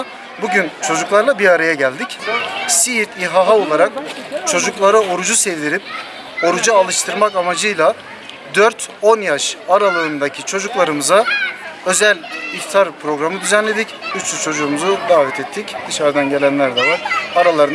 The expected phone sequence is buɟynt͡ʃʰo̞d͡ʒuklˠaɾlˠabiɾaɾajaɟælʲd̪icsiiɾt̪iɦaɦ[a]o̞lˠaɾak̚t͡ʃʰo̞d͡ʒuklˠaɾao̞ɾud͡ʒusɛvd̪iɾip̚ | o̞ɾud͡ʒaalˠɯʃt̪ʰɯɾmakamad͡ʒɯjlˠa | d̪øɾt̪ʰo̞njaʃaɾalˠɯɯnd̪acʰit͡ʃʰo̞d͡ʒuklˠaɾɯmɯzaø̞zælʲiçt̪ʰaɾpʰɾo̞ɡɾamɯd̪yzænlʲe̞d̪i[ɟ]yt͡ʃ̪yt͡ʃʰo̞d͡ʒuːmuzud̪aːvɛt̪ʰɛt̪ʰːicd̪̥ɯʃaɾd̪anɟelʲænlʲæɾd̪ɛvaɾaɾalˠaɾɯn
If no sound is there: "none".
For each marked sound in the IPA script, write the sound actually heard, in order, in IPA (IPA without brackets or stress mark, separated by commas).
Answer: a, c